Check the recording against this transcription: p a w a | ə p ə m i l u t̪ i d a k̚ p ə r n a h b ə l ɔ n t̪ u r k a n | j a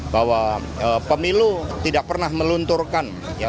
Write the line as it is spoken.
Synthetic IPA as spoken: b a w a | ə p ə m i l u t̪ i d a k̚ p ə r n a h m ə l u n t̪ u r k a n | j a